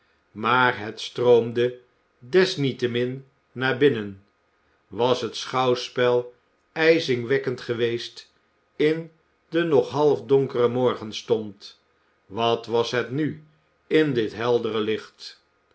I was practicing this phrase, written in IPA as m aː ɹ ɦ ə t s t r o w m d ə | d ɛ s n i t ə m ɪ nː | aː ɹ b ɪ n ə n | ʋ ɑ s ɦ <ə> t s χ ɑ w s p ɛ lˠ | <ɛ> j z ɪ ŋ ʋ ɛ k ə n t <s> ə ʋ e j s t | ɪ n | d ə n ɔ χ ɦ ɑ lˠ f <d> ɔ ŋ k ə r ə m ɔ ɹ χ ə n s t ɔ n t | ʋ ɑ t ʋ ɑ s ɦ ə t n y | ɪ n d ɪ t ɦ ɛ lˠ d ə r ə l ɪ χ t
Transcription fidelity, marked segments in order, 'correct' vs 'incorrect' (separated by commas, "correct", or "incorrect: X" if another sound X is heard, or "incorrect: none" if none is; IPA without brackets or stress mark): correct, correct, incorrect: χ, correct